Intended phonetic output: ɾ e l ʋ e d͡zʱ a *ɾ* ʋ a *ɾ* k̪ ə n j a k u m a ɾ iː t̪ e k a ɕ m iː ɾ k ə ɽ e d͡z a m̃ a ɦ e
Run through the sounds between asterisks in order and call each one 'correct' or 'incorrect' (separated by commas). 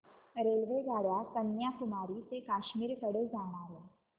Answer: incorrect, incorrect